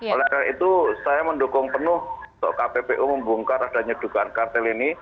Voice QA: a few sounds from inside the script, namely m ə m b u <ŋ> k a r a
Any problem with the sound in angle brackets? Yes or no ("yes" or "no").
no